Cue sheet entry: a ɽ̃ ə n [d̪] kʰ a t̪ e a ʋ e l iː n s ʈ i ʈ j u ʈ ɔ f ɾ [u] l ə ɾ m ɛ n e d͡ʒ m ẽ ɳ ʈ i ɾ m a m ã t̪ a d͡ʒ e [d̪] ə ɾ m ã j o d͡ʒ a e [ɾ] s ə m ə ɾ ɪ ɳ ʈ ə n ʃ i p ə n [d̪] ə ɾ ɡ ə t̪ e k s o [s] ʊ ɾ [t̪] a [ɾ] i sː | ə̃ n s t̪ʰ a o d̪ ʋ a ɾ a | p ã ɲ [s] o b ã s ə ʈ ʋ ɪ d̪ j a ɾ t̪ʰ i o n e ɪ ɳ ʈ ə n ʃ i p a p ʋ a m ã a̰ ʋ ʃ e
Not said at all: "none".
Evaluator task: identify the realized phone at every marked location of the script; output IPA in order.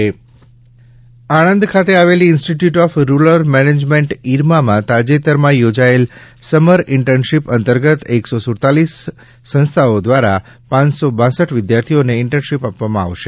d̪, u, t̪, l, t̪, s, t̪, l, s

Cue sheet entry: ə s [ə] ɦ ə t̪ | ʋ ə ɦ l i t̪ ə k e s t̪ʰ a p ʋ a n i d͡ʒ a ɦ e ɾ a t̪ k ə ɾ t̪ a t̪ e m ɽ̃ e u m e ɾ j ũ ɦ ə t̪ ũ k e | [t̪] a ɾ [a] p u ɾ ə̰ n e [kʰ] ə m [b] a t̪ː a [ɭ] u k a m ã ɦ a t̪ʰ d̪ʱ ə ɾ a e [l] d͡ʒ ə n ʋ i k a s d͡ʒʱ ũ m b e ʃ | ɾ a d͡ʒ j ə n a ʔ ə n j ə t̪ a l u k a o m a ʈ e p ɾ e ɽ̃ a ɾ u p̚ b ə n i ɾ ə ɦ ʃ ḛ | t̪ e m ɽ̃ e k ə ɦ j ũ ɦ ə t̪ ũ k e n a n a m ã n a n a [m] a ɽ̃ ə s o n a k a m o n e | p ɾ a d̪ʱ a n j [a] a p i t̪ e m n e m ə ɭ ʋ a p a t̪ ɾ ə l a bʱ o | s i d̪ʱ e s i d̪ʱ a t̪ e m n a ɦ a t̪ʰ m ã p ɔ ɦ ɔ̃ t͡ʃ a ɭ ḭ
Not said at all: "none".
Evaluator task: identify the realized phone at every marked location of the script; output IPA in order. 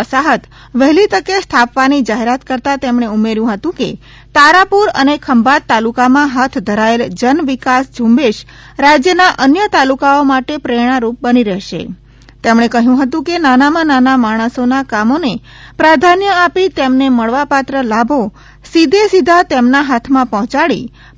a, t̪, a, kʰ, b, l, l, m, ə

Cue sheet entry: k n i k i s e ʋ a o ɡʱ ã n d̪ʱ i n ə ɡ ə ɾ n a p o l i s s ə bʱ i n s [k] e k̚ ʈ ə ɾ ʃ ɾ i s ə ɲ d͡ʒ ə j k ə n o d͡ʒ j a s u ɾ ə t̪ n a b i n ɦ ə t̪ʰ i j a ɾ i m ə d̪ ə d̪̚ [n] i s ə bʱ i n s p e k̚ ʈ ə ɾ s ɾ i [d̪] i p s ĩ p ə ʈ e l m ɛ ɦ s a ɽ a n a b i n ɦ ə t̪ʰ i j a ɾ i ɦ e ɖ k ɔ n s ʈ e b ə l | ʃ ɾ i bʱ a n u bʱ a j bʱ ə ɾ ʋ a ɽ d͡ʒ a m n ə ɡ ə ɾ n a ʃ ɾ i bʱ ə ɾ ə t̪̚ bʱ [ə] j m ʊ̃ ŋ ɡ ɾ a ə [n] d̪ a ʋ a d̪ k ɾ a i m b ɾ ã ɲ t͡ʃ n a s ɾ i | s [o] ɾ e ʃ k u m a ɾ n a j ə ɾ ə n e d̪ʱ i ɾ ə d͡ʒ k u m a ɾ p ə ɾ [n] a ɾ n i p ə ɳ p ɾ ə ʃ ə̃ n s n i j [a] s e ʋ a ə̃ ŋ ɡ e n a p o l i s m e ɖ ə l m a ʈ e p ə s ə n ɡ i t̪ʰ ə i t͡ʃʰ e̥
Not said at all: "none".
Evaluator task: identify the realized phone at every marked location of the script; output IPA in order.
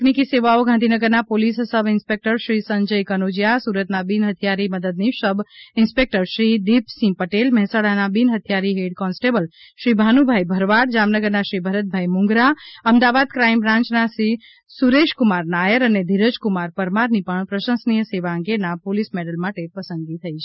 p, n, d̪, a, m, u, m, ə

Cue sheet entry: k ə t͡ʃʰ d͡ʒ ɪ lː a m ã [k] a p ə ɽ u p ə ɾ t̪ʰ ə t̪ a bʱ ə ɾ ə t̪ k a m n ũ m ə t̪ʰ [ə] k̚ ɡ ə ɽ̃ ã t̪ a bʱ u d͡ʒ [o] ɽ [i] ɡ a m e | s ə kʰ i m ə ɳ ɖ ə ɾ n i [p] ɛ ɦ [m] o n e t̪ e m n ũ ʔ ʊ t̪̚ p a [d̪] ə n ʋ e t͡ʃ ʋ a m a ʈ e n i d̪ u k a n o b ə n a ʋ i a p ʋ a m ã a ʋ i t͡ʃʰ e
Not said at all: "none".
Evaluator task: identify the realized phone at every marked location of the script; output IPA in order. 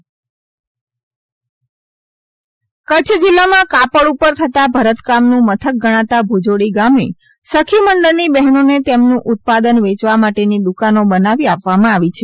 k, ə, o, i, b, n, d̪

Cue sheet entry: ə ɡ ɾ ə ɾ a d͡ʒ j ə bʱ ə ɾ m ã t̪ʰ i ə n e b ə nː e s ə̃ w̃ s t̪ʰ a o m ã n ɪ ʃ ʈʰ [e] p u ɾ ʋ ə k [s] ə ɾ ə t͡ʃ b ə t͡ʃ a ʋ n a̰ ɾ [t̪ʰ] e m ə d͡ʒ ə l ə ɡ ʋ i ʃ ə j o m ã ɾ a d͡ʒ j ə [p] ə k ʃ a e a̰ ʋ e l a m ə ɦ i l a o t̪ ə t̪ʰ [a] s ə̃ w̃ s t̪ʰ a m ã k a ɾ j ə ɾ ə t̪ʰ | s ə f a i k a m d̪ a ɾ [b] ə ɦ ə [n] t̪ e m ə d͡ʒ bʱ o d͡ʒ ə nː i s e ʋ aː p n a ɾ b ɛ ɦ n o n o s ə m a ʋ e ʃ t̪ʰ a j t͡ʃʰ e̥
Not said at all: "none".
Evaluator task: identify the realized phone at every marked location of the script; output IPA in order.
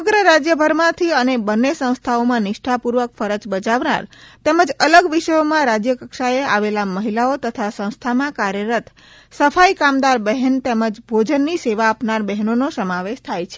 a, f, t̪, k, a, b, n

